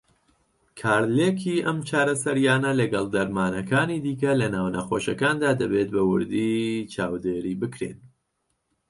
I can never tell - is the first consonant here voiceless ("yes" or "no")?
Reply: yes